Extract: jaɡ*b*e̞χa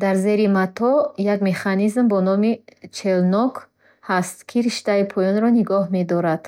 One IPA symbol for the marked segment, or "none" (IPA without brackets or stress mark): m